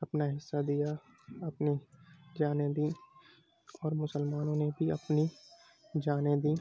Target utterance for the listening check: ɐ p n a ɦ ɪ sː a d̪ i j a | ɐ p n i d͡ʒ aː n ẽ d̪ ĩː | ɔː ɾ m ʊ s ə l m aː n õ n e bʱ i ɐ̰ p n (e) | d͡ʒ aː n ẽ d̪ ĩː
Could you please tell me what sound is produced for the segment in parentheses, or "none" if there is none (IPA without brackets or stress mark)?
i